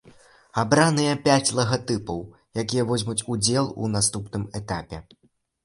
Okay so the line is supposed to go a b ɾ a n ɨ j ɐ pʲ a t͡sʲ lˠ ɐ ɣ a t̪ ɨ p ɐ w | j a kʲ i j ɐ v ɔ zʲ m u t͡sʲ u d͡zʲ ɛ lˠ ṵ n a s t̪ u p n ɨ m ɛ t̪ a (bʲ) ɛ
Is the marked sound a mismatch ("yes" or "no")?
yes